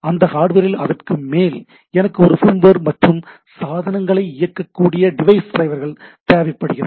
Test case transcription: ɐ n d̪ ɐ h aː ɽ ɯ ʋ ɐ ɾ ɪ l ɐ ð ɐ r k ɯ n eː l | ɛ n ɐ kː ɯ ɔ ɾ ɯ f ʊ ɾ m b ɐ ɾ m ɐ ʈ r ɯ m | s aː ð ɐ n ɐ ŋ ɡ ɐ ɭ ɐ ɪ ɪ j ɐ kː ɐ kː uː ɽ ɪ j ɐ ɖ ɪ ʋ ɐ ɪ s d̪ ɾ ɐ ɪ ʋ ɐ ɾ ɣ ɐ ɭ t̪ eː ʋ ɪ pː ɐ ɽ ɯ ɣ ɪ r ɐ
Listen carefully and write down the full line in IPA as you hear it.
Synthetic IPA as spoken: ɐ n d̪ ɐ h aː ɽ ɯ ʋ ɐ ɾ ɪ l ɐ ð ɐ r k ɯ m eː l | ɛ n ɐ kː ɯ ɔ ɾ ɯ f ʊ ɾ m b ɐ ɾ m ɐ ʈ r ɯ m | s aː ð ɐ n ɐ ŋ ɡ ɐ ɭ ɐ ɪ ɪ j ɐ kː ɐ kː uː ɽ ɪ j ɐ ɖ ɪ ʋ ɐ ɪ s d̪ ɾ ɐ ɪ ʋ ɐ ɾ ɣ ɐ ɭ t̪ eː ʋ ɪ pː ɐ ɽ ɯ ɣ ɪ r ɐ